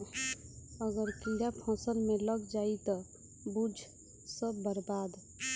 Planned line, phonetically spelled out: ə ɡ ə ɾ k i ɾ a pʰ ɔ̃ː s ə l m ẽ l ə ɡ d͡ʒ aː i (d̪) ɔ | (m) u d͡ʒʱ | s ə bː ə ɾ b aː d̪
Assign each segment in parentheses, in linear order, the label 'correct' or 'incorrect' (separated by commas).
incorrect, incorrect